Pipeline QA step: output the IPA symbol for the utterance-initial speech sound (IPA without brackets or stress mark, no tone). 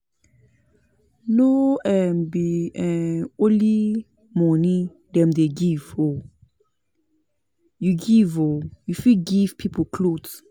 n